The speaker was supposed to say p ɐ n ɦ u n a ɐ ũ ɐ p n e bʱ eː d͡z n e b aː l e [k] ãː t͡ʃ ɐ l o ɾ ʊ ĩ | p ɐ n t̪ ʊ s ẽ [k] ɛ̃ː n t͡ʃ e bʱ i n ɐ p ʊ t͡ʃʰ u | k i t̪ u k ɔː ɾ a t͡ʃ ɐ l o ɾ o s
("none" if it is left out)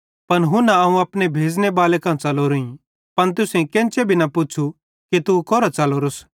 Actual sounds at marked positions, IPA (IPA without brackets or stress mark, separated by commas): k, k